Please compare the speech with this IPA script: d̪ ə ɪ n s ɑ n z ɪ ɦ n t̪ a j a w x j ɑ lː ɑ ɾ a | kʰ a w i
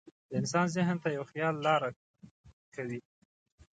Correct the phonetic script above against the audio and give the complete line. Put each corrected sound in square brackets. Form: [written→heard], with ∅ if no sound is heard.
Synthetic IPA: d̪ ə ɪ n s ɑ n z ɪ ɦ n t̪ a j a w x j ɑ lː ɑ ɾ a | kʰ a w i